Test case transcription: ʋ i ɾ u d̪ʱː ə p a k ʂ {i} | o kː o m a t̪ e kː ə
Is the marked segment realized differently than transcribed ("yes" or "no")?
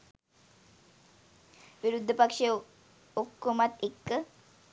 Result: yes